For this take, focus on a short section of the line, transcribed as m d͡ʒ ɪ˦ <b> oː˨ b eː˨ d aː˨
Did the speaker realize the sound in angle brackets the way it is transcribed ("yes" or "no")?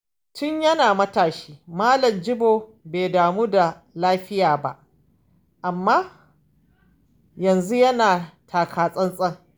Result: yes